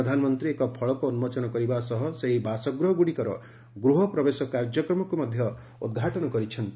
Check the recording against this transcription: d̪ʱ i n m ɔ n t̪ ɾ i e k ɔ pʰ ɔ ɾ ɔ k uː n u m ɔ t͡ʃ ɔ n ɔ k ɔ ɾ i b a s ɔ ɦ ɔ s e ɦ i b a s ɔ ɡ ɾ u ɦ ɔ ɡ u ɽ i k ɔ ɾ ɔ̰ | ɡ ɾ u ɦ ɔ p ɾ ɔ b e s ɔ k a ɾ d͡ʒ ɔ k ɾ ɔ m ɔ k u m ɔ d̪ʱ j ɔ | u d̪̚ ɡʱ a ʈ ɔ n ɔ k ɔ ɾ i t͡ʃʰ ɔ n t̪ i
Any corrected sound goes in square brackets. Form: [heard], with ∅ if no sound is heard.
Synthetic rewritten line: d̪ʱ [a] n m ɔ n t̪ ɾ i e k ɔ pʰ ɔ [ɭ] ɔ k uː n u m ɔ t͡ʃ ɔ n ɔ k ɔ ɾ i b a s ɔ ɦ ɔ s e ɦ i b a s ɔ ɡ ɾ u ɦ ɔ ɡ u ɽ i k ɔ ɾ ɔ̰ | ɡ ɾ u ɦ ɔ p ɾ ɔ b e s ɔ k a ɾ d͡ʒ ɔ k ɾ ɔ m ɔ k u m ɔ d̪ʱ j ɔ | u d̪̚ ɡʱ a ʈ ɔ n ɔ k ɔ ɾ i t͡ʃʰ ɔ n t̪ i